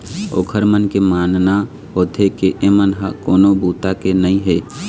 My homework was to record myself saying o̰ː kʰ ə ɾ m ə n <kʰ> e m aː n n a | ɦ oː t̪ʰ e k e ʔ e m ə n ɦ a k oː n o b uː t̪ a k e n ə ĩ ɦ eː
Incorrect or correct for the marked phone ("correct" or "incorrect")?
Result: incorrect